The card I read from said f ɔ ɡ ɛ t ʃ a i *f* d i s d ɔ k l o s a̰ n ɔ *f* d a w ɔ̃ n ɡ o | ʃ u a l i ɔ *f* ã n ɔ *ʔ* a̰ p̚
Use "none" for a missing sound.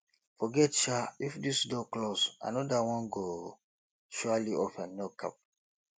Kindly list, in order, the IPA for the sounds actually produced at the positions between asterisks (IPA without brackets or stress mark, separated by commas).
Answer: f, none, f, k